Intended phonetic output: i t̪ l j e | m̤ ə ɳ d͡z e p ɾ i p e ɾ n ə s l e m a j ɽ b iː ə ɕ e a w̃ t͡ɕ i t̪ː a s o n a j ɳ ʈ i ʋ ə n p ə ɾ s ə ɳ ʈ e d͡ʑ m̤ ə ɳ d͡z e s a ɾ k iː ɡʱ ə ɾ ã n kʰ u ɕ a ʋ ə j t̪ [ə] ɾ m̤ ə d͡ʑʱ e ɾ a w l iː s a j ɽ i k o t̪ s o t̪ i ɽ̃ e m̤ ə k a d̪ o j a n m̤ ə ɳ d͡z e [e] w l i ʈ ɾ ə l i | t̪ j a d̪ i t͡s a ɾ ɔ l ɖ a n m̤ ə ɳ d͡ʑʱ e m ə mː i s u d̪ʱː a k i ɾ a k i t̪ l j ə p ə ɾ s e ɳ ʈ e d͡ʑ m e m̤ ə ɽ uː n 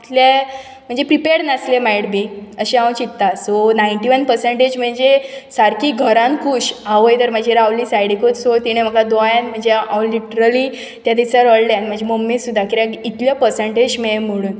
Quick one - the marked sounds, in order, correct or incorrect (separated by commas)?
correct, incorrect